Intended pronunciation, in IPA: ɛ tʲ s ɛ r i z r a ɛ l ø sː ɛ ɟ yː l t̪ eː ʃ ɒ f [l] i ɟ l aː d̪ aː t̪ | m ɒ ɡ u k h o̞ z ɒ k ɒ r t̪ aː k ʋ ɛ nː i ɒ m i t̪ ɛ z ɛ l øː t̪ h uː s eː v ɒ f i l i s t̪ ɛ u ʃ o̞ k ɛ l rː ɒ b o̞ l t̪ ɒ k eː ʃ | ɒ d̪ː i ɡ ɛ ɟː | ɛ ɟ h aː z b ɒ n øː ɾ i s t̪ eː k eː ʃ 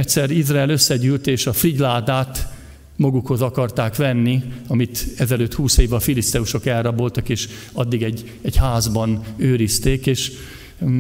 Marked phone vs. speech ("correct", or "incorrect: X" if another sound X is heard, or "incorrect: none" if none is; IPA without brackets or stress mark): incorrect: r